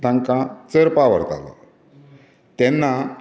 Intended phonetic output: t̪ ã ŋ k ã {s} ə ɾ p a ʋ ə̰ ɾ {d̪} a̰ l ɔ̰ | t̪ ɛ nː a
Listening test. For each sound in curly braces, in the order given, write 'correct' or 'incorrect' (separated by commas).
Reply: incorrect, incorrect